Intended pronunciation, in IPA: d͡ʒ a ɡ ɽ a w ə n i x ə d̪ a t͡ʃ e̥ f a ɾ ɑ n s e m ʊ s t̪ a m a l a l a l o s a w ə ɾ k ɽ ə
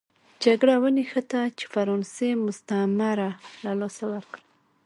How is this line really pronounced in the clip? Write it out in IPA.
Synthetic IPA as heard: d͡ʒ a ɡ ɽ a w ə n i x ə t̪ a t͡ʃ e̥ f a ɾ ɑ n s e m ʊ s t̪ a m a ɾ a l a l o s a w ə ɾ k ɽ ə